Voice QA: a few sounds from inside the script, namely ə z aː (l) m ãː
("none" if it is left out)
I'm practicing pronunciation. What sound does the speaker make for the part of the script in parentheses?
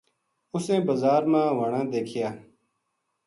ɾ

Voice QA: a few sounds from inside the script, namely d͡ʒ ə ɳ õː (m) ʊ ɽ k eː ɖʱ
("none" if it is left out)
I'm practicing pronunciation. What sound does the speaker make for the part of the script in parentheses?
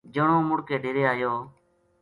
m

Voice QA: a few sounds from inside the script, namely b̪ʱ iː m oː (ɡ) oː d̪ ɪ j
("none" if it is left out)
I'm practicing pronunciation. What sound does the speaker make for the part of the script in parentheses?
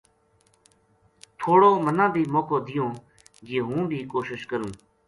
k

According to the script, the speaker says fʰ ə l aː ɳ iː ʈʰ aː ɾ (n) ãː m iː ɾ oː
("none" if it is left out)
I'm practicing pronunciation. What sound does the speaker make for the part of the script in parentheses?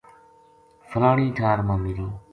m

